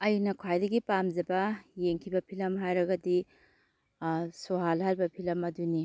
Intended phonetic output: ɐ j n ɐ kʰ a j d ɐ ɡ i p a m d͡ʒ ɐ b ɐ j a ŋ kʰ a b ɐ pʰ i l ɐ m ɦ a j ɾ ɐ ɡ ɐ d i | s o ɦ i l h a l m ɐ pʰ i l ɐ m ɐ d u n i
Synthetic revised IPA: ɐ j n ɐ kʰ a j d ɐ ɡ i p a m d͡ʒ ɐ b ɐ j e ŋ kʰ i b ɐ pʰ i l ɐ m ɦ a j ɾ ɐ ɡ ɐ d i | s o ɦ a l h a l b ɐ pʰ i l ɐ m ɐ d u n i